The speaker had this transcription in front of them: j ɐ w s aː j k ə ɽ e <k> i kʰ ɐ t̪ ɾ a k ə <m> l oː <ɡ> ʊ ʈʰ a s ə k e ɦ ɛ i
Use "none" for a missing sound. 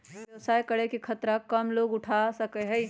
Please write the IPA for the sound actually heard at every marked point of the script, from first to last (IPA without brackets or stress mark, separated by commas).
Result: k, m, ɡ